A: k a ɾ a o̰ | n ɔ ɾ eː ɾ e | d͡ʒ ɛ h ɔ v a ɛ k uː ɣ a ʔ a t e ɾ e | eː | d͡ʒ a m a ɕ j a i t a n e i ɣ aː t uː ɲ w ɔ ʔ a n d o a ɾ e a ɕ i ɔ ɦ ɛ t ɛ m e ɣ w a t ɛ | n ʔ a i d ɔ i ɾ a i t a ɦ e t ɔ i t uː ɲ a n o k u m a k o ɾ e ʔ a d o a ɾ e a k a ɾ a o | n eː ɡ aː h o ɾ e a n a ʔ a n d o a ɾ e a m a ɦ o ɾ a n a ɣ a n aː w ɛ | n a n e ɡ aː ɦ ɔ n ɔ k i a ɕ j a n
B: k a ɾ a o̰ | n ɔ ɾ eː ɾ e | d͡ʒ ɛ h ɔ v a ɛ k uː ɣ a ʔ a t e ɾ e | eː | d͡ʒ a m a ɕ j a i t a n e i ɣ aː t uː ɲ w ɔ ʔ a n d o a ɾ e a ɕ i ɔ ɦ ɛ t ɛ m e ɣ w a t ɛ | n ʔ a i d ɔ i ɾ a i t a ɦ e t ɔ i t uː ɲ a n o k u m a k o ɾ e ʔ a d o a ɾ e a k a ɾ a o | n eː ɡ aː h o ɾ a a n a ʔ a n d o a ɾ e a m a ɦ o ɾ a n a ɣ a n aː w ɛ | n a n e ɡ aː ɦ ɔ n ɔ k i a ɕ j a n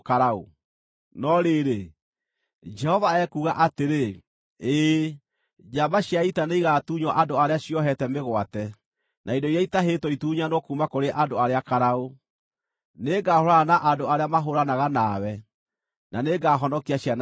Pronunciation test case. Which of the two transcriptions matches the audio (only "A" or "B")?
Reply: B